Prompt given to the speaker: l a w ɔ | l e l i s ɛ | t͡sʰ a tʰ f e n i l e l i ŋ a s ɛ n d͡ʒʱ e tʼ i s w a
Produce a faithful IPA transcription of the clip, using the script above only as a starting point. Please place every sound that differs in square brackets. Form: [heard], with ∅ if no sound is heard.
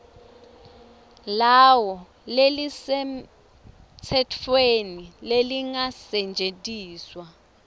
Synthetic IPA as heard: l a w ɔ | l e l i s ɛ | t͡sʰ [ɛ] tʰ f e n i l e l i ŋ a s ɛ n d͡ʒʱ e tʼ [iː] s w a